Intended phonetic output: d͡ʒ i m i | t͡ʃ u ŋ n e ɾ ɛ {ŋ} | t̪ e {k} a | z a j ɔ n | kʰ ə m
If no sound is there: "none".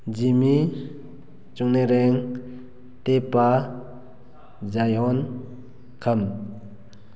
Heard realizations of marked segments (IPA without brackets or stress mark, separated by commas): ŋ, p